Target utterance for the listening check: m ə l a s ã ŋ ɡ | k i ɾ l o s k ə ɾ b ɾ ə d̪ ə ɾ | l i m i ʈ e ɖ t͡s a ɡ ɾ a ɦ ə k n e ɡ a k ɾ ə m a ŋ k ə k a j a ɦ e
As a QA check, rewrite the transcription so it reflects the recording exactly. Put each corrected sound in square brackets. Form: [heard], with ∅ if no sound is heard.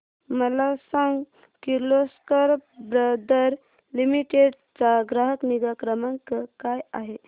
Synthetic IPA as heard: m ə l a s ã ŋ ɡ | k i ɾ l o s k ə ɾ b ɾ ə d̪ ə ɾ | l i m i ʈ e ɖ t͡s a ɡ ɾ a ɦ ə k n [i] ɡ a k ɾ ə m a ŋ k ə k a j a ɦ e